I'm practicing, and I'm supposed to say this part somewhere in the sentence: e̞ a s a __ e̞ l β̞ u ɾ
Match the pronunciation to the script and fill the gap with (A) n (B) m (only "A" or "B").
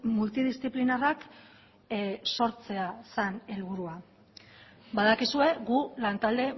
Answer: A